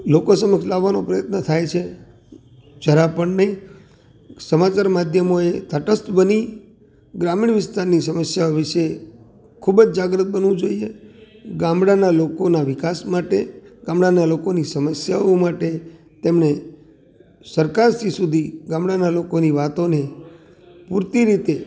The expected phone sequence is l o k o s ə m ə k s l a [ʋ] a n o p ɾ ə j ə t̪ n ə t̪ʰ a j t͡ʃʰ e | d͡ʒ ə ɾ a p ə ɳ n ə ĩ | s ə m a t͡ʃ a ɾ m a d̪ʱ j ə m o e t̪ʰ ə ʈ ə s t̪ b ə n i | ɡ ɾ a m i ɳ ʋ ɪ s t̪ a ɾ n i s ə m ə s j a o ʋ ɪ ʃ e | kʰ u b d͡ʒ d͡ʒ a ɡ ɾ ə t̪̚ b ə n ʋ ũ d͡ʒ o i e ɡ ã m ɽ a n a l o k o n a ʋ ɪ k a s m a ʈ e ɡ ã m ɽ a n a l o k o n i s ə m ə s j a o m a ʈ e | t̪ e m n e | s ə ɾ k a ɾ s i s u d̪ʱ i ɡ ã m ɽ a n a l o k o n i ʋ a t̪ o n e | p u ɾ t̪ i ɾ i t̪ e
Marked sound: incorrect: ʋː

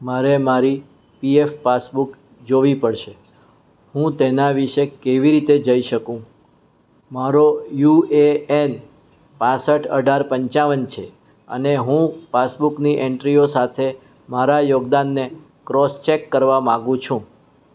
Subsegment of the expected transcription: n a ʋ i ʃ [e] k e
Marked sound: correct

